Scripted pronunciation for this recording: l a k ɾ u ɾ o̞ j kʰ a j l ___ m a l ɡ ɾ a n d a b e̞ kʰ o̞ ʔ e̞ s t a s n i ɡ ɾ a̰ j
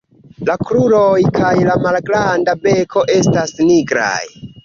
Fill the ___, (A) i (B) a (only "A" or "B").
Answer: B